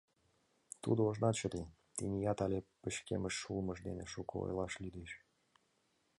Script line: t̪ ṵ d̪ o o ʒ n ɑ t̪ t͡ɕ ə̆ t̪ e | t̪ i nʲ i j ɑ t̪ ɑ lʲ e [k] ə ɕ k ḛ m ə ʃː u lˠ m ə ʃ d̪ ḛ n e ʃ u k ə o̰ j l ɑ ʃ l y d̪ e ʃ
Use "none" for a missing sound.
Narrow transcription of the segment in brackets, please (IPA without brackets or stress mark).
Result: p